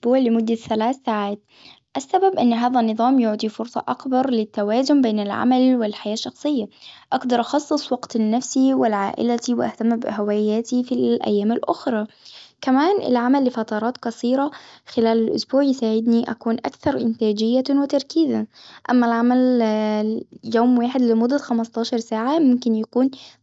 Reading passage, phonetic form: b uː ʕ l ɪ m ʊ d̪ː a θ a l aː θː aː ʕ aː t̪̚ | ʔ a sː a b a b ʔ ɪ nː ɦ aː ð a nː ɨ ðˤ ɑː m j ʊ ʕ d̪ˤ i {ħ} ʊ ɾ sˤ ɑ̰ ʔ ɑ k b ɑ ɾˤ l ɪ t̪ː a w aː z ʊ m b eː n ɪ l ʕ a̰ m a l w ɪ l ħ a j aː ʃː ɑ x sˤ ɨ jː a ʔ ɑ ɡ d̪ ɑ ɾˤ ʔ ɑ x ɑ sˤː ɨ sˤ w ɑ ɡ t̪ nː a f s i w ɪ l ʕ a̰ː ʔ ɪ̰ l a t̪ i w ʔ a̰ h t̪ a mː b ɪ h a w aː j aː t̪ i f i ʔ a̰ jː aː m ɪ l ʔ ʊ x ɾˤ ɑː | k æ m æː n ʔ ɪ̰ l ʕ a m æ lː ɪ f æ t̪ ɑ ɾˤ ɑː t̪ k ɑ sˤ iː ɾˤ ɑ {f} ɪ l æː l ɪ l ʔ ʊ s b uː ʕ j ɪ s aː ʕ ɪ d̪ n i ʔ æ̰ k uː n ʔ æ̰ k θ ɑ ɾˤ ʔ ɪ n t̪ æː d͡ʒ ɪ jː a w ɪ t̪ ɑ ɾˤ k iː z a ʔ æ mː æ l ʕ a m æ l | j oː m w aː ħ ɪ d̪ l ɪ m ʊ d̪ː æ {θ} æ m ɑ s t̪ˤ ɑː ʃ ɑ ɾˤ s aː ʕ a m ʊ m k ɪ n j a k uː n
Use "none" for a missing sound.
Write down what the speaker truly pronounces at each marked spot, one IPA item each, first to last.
f, x, x

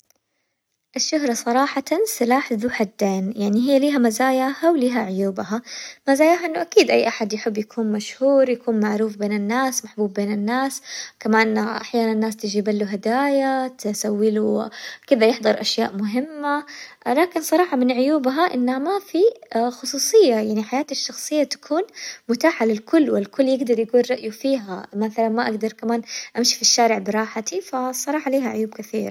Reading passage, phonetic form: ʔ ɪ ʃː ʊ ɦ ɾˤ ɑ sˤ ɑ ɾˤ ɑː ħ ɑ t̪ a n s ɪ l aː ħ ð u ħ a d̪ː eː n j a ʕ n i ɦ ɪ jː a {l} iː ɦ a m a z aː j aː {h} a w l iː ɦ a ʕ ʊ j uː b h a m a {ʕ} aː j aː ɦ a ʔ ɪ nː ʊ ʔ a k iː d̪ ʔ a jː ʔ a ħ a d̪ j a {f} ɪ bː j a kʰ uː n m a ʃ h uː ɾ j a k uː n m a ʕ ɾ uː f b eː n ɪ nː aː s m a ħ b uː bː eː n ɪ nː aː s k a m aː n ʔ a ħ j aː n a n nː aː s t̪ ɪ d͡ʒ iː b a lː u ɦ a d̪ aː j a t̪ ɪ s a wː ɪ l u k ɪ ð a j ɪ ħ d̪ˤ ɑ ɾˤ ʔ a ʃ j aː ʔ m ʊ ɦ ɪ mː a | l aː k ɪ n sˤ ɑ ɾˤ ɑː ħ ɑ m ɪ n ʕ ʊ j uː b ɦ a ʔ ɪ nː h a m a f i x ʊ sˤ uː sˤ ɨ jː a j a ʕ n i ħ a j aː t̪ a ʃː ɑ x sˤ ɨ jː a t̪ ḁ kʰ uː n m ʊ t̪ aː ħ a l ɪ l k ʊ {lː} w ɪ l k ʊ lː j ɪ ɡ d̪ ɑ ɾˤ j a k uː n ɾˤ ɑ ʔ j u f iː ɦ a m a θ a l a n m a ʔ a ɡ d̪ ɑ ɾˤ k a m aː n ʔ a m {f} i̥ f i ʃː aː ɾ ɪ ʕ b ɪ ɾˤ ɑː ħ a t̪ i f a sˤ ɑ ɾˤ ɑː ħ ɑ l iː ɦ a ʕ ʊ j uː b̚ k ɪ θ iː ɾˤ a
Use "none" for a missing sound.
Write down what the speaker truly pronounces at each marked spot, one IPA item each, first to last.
l, h, z, ħ, lː, ʃ

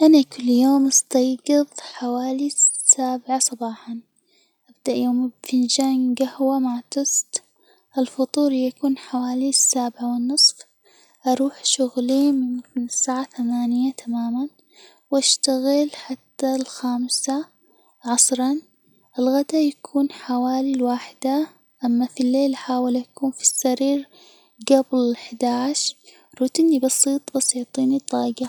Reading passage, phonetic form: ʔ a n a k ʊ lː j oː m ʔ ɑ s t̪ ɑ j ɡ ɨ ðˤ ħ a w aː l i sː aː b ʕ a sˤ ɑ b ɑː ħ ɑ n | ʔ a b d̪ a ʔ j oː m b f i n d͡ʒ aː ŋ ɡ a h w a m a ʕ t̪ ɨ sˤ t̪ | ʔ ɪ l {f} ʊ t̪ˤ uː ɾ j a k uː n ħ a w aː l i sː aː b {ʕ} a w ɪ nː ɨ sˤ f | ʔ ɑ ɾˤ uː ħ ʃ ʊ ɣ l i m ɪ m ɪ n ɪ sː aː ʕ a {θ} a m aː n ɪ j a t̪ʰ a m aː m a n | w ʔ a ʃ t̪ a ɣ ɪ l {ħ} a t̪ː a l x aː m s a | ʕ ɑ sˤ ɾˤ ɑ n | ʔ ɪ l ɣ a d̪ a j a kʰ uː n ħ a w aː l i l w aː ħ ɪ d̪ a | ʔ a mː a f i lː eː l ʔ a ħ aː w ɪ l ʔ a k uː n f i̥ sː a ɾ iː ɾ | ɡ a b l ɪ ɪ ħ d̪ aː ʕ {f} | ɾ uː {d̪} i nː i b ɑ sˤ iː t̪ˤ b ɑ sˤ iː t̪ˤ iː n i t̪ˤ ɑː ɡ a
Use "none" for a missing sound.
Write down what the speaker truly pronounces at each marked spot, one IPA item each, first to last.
f, ʕ, θ, ħ, ʃ, t̪

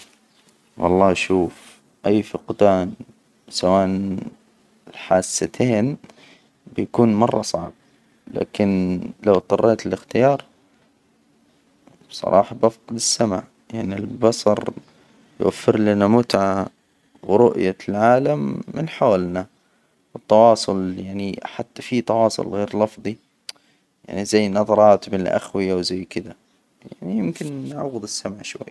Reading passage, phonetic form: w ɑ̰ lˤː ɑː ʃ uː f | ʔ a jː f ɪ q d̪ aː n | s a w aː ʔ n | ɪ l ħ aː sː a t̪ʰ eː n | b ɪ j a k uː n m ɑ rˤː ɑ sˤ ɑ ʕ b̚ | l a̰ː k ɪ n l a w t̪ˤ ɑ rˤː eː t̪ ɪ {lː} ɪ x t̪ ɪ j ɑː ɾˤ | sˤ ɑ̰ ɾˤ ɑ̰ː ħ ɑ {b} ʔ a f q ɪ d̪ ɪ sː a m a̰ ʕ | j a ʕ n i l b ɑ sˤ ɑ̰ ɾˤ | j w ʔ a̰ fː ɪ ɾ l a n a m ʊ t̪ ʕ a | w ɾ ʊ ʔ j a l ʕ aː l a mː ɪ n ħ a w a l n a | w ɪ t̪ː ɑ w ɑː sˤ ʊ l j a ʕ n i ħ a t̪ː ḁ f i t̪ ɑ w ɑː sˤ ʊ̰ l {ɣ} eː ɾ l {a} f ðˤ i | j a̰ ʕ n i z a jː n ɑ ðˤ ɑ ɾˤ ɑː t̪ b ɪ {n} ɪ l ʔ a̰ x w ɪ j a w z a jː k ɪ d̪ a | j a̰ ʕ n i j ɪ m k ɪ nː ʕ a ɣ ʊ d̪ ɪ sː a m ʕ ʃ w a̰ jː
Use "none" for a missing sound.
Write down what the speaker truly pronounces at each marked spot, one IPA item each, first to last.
l, b, ɣ, ɑ, n

